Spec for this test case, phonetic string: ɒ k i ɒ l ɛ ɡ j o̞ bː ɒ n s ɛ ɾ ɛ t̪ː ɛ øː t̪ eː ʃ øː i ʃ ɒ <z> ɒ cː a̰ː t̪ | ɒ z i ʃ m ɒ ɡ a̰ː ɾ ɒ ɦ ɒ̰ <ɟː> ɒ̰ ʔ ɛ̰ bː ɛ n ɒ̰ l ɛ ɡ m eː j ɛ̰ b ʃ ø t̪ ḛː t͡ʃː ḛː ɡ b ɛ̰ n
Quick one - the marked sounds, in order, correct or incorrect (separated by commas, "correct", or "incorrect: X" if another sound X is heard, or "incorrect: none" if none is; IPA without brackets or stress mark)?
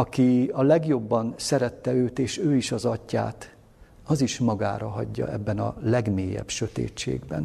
correct, correct